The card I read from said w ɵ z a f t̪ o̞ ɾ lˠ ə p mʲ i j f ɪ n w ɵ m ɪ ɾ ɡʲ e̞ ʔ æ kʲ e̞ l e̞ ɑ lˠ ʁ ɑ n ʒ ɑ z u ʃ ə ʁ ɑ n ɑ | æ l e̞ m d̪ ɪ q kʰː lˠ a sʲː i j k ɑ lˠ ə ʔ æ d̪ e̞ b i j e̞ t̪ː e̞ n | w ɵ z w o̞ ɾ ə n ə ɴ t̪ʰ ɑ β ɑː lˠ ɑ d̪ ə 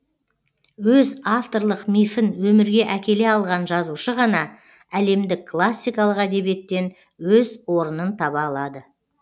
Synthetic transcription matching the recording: w ɵ z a f t̪ o̞ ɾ lˠ ə q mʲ i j f ɪ n w ɵ m ɪ ɾ ɡʲ e̞ ʔ æ kʲ e̞ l e̞ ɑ lˠ ʁ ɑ n ʒ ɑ z u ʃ ə ʁ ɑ n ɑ | æ l e̞ m d̪ ɪ k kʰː lˠ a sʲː i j k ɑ lˠ ə q æ d̪ e̞ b i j e̞ t̪ː e̞ n | w ɵ z w o̞ ɾ ə n ə n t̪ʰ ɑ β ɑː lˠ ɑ d̪ ə